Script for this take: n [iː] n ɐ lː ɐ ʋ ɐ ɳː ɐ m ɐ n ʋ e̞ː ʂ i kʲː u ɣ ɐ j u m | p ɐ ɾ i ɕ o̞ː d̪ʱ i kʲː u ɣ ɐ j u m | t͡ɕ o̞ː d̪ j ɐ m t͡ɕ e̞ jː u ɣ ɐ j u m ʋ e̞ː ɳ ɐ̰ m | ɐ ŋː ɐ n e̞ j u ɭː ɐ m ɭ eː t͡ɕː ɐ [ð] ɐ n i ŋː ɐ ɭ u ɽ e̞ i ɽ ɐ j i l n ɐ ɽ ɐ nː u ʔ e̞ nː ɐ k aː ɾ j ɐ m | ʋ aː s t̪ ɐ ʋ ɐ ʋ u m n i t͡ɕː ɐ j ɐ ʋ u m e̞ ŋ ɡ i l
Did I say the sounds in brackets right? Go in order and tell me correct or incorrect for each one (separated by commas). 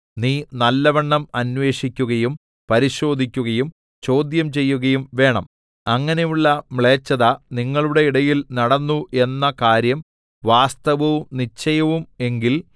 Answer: correct, correct